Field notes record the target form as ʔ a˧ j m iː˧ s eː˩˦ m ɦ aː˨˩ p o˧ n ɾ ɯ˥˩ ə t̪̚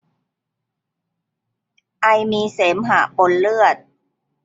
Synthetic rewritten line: ʔ a˧ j m iː˧ s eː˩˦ m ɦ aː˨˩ p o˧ n l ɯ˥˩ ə t̪̚